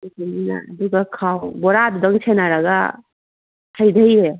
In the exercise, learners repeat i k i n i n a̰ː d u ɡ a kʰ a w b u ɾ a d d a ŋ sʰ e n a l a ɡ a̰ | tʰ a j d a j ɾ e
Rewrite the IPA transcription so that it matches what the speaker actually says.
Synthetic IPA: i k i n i n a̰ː d u ɡ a kʰ a w b ɔ ɾ a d d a ŋ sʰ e n a ɾ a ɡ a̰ | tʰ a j d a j ɾ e